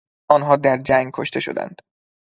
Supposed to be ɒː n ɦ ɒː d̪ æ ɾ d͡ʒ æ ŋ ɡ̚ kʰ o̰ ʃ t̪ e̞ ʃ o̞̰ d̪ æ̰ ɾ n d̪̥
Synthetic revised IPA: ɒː n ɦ ɒː d̪ æ ɾ d͡ʒ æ ŋ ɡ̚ kʰ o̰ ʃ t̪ e̞ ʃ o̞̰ d̪ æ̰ n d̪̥